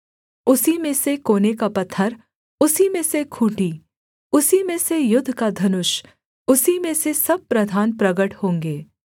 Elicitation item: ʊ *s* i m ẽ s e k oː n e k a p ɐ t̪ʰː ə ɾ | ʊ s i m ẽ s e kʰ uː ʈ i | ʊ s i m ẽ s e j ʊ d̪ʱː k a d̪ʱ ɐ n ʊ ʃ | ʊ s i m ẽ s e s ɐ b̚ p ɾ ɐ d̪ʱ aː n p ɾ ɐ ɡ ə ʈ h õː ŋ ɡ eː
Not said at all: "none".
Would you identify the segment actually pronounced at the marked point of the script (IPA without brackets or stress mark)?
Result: s